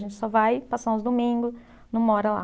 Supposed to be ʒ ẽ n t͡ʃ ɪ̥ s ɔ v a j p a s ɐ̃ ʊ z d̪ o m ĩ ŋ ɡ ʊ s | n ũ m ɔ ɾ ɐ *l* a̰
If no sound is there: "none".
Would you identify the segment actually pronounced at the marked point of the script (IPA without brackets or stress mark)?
l